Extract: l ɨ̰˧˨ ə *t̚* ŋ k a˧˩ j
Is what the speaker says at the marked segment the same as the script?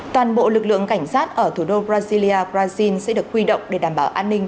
no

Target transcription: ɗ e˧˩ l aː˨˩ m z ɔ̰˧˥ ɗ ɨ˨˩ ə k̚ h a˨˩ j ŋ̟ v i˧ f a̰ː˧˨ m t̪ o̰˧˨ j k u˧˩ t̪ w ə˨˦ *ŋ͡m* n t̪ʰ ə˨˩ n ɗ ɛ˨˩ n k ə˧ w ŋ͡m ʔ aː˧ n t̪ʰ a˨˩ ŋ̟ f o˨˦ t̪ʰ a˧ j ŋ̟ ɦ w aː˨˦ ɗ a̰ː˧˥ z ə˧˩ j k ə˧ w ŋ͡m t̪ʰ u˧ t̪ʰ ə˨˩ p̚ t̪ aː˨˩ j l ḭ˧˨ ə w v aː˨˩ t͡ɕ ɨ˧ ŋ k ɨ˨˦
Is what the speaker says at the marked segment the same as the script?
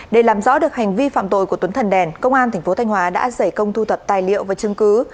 no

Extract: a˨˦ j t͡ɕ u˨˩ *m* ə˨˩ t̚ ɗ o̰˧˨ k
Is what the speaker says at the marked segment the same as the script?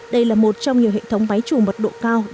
yes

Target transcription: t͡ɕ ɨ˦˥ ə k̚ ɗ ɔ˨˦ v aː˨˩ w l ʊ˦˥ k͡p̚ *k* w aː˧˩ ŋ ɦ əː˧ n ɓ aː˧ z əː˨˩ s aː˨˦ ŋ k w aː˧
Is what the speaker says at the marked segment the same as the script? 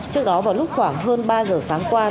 no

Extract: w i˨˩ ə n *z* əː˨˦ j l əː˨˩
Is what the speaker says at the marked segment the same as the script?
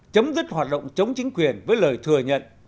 no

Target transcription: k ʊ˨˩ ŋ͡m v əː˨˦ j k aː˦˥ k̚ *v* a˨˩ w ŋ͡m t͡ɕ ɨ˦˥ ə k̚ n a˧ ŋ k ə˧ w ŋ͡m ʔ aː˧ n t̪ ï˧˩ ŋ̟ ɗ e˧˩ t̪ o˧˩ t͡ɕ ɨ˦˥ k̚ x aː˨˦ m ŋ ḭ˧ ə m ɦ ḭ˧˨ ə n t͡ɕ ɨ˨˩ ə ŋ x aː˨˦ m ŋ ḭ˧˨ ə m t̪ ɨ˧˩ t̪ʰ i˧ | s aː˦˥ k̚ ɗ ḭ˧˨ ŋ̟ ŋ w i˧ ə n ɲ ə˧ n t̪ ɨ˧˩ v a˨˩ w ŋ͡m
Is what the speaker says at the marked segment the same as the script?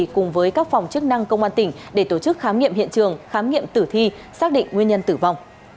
no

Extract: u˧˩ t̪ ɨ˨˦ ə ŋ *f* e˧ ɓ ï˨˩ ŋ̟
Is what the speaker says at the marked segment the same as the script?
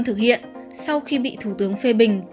yes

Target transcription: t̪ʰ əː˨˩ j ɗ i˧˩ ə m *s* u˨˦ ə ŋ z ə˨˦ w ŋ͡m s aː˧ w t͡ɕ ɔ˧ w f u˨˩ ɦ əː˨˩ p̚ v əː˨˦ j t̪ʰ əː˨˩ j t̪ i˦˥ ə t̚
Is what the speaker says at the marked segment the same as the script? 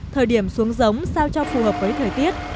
yes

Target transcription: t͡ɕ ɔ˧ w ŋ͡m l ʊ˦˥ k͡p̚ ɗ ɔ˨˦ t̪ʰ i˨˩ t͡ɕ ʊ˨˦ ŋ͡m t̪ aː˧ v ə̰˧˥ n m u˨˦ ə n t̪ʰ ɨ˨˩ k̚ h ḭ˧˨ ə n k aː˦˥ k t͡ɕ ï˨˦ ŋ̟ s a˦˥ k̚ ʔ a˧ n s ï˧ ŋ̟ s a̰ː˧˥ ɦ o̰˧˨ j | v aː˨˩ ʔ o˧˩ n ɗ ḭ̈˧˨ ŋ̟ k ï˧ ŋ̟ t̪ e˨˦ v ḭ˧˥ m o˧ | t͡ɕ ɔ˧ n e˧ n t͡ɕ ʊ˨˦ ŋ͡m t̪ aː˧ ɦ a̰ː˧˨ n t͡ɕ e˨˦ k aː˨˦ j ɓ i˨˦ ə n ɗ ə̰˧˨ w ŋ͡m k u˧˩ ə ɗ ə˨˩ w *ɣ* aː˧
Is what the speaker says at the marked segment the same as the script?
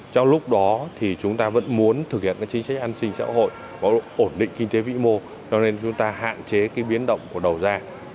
no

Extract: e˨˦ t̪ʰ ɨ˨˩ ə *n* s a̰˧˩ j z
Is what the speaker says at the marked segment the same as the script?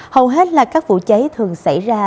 no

